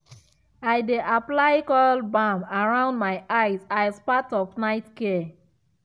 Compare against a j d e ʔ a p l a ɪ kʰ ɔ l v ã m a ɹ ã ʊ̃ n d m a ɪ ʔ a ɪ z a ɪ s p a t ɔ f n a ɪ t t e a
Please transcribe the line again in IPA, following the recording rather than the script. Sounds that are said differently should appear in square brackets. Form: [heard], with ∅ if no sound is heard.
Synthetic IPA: a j d e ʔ a p l a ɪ [k] ɔ l [b] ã m a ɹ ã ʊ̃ n d m a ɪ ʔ a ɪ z a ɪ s p a t ɔ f n a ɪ t [k] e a